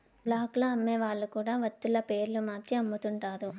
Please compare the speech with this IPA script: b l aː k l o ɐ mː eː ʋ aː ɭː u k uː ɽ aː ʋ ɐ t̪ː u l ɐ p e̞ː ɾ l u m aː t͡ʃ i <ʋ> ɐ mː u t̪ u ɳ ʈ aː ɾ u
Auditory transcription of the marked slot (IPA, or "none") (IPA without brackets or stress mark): none